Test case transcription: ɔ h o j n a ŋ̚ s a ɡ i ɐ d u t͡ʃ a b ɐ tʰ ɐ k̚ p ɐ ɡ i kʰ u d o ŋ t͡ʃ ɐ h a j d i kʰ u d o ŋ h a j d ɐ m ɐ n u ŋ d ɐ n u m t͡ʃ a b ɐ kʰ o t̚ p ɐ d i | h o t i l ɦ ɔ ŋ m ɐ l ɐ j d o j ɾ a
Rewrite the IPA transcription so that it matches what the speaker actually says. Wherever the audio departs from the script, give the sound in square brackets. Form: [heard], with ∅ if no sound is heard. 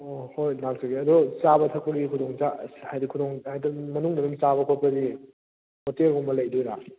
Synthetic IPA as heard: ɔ h o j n a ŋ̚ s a ɡ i ɐ d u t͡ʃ a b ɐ tʰ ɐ k̚ p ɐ ɡ i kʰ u d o ŋ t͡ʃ [a] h a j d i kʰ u d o ŋ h a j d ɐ m ɐ n u ŋ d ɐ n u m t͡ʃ a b ɐ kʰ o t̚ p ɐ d i | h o t [e] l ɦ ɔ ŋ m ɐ l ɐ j d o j ɾ a